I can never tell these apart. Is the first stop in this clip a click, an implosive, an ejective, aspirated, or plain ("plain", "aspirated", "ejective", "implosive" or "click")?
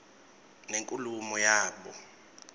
ejective